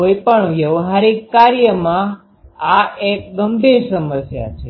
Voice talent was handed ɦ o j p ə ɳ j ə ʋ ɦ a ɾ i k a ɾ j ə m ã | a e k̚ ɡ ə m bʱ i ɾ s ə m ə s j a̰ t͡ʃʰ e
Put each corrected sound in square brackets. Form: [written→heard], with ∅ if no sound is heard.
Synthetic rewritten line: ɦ o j p ə ɳ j ə ʋ ɦ a ɾ i k a ɾ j ə m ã | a e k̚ ɡ ə m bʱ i ɾ s ə m ə s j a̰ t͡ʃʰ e

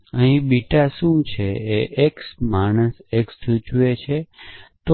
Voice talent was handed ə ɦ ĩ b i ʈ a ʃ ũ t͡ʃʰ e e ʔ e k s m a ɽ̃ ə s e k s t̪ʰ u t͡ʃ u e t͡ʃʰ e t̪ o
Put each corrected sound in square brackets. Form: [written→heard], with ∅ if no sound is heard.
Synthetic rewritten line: ə ɦ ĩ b i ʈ a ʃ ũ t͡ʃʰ e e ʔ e k s m a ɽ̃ ə s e k s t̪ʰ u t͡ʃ u e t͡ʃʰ e t̪ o

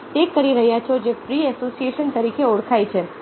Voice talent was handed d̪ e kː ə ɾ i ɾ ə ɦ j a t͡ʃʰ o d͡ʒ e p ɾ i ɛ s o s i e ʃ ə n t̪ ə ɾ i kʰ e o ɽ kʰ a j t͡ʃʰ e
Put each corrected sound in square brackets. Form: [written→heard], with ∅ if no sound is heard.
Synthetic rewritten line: [d̪→t̪] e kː ə ɾ i ɾ ə ɦ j a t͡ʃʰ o d͡ʒ e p ɾ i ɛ s o s i e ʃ ə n t̪ ə ɾ i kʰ e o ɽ kʰ a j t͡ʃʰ e

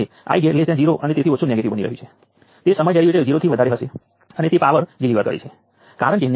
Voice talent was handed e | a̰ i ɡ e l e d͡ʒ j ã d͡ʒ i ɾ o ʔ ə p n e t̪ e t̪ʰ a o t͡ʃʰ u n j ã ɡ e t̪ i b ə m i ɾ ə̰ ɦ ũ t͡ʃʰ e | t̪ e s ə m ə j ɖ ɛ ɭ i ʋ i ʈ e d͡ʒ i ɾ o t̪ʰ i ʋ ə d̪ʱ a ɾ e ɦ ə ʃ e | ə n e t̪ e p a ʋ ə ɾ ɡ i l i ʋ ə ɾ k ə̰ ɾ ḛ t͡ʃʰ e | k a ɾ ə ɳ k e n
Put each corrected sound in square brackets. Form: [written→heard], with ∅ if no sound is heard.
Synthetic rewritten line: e | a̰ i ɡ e l e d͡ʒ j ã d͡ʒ i ɾ o ʔ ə [p→∅] n e t̪ e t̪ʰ [a→i] o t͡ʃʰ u n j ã ɡ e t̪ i b ə [m→n] i ɾ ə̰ ɦ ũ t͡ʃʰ e | t̪ e s ə m ə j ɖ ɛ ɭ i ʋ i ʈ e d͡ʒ i ɾ o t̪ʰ i ʋ ə d̪ʱ a ɾ e ɦ ə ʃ e | ə n e t̪ e p a ʋ ə ɾ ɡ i l i ʋ ə ɾ k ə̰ ɾ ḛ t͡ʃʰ e | k a ɾ ə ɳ k e n

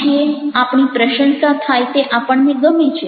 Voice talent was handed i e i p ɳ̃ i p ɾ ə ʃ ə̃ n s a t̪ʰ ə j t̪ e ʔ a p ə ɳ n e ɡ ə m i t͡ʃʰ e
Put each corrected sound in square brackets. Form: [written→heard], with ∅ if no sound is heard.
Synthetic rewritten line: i e [i→a] p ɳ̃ i p ɾ ə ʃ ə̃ n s a t̪ʰ [ə→a] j t̪ e ʔ a p ə ɳ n e ɡ ə m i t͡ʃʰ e

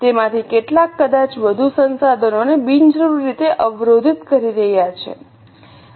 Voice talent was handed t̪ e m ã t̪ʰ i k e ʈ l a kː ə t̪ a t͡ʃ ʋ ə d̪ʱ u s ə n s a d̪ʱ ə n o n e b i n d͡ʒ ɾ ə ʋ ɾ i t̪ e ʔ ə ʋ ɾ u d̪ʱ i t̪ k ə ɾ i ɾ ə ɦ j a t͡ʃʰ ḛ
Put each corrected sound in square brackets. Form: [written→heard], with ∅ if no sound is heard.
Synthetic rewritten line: t̪ e m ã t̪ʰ i k e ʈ l a kː ə [t̪→d̪] a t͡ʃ ʋ ə d̪ʱ u s ə n s a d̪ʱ ə n o n e b i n d͡ʒ ɾ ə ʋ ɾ i t̪ e ʔ ə ʋ ɾ [u→o] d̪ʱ i t̪ k ə ɾ i ɾ ə ɦ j a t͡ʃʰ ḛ

